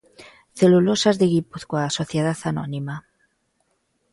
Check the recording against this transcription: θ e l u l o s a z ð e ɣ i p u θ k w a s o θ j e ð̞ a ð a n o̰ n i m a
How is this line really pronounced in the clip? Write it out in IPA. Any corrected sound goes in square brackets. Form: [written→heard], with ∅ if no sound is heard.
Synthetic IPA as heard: θ e l u l o s a z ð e ɣ i p u θ k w a s o θ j e ð̞ a [ð→θ] a n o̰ n i m a